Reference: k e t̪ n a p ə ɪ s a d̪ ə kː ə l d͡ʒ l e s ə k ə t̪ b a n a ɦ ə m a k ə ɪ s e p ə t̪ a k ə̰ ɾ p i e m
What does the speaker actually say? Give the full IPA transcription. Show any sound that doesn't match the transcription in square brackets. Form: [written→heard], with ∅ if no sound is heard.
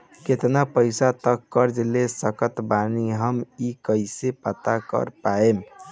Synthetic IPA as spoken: k e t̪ n a p ə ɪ s a [d̪→t̪] ə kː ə [l→ɾ] d͡ʒ l e s ə k ə t̪ b a n [a→i] ɦ ə m [a→i] k ə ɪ s e p ə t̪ a k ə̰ ɾ p [i→a] e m